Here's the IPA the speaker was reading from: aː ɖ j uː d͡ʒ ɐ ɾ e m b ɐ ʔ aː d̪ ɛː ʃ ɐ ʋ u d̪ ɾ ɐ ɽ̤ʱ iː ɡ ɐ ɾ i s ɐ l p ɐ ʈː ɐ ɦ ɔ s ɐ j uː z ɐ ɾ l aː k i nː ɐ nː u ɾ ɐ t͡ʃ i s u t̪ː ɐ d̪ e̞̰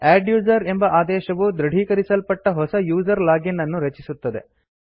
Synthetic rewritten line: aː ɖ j uː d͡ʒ ɐ ɾ e m b ɐ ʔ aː d̪ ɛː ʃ ɐ ʋ u d̪ ɾ ɐ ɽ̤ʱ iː k ɐ ɾ i s ɐ l p ɐ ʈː ɐ ɦ ɔ s ɐ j uː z ɐ ɾ l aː ɡ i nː ɐ nː u ɾ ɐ t͡ʃ i s u t̪ː ɐ d̪ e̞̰